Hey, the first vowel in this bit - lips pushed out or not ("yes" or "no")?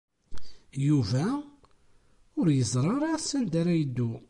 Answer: yes